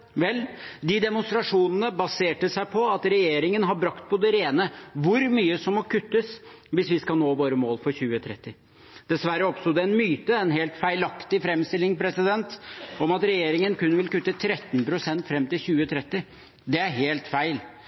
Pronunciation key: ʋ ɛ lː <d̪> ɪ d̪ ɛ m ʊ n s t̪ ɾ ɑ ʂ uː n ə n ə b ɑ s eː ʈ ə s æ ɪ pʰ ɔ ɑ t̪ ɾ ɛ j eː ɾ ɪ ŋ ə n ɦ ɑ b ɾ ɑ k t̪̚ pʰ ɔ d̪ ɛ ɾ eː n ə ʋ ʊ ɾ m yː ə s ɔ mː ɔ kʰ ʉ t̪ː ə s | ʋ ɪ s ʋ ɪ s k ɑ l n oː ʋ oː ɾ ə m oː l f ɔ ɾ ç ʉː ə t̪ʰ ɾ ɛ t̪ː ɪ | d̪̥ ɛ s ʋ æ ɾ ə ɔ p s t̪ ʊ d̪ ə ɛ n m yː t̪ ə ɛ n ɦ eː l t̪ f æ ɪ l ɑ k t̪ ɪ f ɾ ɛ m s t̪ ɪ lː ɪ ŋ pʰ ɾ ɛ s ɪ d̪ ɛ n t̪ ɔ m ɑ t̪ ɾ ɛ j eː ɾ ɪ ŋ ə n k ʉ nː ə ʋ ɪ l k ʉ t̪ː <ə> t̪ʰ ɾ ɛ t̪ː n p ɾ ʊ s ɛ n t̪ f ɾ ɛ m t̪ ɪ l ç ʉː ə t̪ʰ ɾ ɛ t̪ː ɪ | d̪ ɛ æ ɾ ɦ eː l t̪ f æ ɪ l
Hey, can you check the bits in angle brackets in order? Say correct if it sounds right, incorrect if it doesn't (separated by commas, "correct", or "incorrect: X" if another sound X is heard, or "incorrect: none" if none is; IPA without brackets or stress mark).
correct, correct